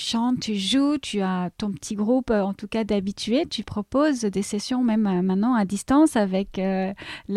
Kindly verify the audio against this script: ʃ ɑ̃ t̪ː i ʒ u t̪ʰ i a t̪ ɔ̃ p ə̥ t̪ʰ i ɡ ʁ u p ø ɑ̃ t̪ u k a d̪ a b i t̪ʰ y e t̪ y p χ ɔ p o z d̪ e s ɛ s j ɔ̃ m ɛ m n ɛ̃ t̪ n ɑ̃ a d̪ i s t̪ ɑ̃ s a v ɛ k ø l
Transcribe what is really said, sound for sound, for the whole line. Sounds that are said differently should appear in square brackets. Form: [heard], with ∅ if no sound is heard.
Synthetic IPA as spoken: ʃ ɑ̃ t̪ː [y] ʒ u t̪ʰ [y] a t̪ ɔ̃ p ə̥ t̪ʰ i ɡ ʁ u p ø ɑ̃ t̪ u k a d̪ a b i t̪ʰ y e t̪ y p χ ɔ p o z d̪ e s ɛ s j ɔ̃ m ɛ m [m] ɛ̃ t̪ n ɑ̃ a d̪ i s t̪ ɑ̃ s a v ɛ k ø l